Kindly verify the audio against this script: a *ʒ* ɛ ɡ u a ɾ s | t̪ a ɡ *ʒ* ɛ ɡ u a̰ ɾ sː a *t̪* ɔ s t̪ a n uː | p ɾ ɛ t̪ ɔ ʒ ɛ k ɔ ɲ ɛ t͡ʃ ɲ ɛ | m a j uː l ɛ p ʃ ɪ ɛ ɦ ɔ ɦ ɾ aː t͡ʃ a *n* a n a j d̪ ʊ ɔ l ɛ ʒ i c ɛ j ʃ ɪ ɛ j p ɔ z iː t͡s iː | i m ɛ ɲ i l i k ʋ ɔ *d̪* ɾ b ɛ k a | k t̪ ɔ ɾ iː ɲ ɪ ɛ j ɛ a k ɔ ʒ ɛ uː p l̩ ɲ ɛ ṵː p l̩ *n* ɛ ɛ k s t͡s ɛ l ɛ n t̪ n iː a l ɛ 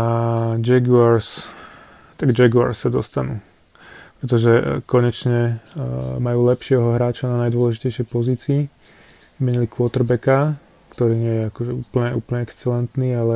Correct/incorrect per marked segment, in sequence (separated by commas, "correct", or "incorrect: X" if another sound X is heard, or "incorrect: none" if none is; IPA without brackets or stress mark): incorrect: d͡ʒ, incorrect: d͡ʒ, incorrect: d̪, correct, incorrect: t̪, incorrect: ɲ